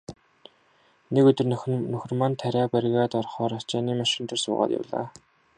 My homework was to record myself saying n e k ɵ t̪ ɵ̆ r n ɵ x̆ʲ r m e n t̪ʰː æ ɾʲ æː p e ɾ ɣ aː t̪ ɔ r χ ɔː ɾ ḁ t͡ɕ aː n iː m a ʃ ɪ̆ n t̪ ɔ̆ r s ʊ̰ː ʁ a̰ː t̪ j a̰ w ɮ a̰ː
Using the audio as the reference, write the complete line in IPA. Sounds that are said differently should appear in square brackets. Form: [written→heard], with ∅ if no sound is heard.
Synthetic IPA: n e k ɵ t̪ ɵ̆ r n ɵ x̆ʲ r m [e→a] n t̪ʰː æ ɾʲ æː p [e→æ] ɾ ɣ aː t̪ ɔ r χ ɔː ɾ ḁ t͡ɕ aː n iː m a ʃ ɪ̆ n t̪ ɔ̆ r s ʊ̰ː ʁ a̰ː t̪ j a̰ w ɮ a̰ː